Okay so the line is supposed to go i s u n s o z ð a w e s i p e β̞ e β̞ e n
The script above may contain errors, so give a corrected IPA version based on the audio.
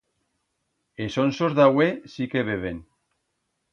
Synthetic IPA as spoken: e s o n s o z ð a w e s i k e β̞ e β̞ e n